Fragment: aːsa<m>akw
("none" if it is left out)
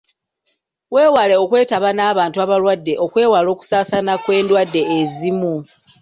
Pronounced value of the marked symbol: n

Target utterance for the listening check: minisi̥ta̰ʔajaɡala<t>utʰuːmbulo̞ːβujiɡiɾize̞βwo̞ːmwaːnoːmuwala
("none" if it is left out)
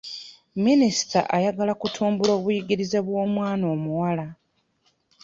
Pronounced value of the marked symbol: k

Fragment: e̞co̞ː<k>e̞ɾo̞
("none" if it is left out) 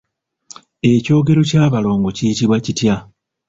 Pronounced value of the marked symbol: ɡ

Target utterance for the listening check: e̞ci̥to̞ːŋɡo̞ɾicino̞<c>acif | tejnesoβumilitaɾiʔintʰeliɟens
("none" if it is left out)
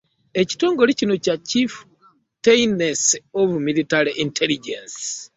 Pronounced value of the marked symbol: c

